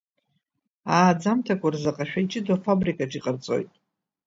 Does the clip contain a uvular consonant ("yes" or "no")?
yes